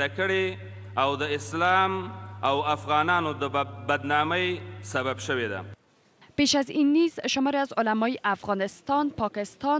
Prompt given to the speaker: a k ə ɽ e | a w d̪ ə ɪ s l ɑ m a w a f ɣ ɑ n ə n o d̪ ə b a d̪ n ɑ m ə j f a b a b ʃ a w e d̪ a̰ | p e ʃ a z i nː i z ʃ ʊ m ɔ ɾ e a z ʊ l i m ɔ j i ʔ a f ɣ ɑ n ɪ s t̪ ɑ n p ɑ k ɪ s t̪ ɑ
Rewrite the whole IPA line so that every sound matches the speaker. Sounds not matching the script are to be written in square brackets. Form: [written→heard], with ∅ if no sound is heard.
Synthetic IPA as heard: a k ə ɽ e | a w d̪ ə ɪ s l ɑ m a w a f ɣ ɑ n [ə→ɑ] n o d̪ ə b a d̪ n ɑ m ə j [f→s] a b a b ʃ [a→ə] w e d̪ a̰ | p e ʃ a z i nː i z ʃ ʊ m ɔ ɾ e a z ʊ l [i→a] m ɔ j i ʔ a f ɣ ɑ n ɪ s t̪ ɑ n p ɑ k ɪ s t̪ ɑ